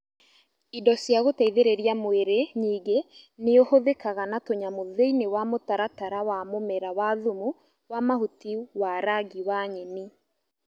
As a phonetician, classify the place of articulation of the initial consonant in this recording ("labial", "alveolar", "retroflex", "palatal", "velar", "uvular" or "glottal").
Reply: alveolar